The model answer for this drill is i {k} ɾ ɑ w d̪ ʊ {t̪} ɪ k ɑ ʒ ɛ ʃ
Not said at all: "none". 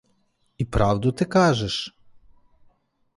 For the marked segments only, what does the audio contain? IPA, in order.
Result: p, t̪

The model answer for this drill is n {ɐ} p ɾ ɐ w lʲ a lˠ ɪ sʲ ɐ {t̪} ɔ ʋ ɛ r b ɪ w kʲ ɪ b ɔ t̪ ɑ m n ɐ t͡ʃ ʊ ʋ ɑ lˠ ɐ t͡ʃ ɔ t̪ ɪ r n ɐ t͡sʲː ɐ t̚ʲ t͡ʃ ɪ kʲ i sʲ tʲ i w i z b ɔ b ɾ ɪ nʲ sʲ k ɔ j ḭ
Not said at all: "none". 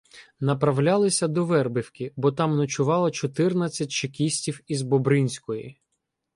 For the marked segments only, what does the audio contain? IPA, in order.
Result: ɐ, d̪

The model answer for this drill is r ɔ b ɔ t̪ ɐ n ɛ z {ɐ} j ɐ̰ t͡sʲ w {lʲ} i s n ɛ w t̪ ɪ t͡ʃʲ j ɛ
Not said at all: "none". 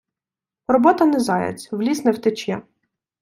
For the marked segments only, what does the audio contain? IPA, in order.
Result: ɑ, lʲ

